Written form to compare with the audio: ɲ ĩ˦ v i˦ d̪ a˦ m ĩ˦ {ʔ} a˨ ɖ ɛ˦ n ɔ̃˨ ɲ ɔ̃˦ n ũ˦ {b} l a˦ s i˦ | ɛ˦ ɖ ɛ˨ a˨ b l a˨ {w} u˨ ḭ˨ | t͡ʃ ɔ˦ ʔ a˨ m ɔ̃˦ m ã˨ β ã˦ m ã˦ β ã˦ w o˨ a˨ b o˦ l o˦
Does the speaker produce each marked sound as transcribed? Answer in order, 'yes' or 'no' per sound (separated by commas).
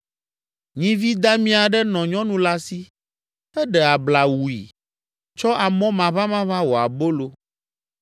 no, no, yes